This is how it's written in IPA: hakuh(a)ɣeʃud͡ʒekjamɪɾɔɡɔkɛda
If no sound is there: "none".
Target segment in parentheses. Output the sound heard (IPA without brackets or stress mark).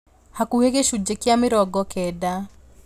e